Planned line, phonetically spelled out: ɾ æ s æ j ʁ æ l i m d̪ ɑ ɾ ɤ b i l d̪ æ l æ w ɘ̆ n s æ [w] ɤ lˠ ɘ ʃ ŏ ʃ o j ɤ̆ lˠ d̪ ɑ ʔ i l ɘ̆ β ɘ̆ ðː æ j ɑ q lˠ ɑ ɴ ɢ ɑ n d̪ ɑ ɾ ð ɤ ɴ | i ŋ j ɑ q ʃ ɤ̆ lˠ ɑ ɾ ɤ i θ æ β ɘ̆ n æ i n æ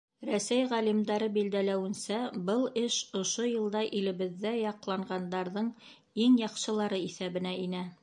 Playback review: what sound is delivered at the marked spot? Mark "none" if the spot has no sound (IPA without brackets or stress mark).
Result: b